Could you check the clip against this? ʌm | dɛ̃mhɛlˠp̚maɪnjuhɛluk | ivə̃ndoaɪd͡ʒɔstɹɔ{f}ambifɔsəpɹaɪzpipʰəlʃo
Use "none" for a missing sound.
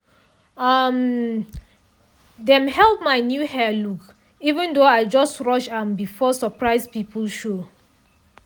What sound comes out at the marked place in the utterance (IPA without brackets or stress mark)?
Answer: ʃ